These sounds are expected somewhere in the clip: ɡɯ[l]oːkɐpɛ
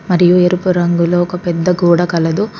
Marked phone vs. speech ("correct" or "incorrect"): correct